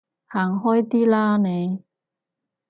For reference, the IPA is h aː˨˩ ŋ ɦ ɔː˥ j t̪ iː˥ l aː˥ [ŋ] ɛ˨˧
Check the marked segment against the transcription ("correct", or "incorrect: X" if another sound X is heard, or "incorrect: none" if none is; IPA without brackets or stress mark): incorrect: n